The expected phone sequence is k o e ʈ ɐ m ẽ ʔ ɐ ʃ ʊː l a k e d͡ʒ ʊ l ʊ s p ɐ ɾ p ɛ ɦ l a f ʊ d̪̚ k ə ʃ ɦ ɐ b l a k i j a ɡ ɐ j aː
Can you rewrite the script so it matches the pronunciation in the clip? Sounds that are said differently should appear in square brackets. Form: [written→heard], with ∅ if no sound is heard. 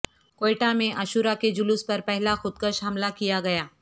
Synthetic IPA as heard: k o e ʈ [ɐ→a] m ẽ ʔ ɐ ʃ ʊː [l→ɾ] a k e d͡ʒ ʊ l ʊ s p ɐ ɾ p ɛ ɦ l a [f→x] ʊ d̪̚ k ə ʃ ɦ ɐ [b→m] l a k i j a ɡ ɐ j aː